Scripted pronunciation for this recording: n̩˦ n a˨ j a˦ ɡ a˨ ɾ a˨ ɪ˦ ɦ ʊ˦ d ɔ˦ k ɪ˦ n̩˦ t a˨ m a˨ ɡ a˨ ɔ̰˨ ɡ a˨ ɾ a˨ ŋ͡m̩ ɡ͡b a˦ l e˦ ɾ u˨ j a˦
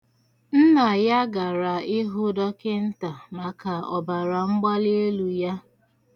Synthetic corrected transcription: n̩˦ n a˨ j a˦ ɡ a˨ ɾ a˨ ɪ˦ ɦ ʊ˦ d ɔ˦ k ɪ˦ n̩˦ t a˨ m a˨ k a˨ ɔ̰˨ b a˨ ɾ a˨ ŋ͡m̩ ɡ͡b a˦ l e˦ l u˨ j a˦